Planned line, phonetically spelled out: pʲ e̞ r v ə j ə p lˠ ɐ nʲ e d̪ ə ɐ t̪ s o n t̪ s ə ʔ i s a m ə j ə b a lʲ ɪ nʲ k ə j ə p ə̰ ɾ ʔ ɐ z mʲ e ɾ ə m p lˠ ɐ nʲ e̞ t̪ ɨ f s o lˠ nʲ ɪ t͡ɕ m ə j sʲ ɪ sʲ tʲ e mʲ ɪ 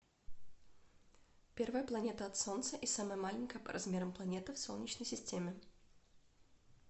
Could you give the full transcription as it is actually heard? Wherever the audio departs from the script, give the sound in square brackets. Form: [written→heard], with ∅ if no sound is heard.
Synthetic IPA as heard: pʲ e̞ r v ə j ə p lˠ ɐ nʲ e [d̪→t̪] ə ɐ t̪ s o n t̪ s ə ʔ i s a m ə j ə [b→m] a lʲ ɪ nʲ k ə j ə p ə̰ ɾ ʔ ɐ z mʲ e ɾ ə m p lˠ ɐ nʲ e̞ t̪ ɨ f s o lˠ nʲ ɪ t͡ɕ [m→n] ə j sʲ ɪ sʲ tʲ e mʲ ɪ